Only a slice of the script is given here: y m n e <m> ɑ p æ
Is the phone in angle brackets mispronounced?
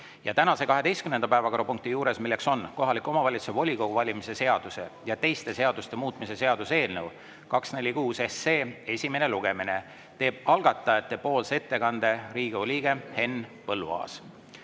yes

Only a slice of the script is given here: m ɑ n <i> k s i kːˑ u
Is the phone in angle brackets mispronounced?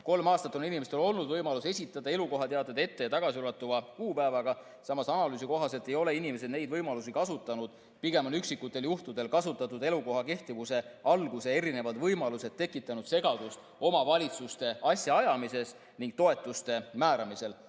yes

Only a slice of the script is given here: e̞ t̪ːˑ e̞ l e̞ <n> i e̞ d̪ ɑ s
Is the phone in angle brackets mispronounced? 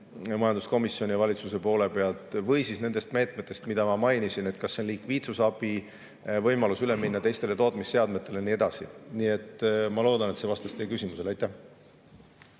no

